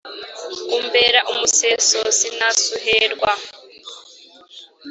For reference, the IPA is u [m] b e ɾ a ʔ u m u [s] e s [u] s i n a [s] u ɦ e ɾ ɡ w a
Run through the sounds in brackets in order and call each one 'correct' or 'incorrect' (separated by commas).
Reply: correct, correct, incorrect, correct